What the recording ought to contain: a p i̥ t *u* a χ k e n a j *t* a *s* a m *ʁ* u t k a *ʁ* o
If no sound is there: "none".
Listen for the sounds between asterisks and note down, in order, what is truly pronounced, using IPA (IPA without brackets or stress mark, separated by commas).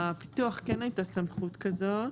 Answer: u, t, s, χ, z